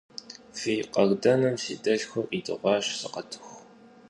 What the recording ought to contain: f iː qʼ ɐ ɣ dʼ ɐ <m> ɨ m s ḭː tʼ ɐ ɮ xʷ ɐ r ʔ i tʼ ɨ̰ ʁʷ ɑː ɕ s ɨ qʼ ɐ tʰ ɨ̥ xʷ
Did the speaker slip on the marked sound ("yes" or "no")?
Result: yes